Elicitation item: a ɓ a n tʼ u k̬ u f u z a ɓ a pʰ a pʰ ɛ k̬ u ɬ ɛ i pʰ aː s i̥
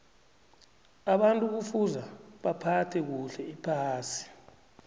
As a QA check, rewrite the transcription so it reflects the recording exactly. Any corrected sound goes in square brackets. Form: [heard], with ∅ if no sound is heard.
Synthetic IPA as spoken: a ɓ a n tʼ u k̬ u f u z a ɓ a pʰ a [tʰ] ɛ k̬ u ɬ ɛ i pʰ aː s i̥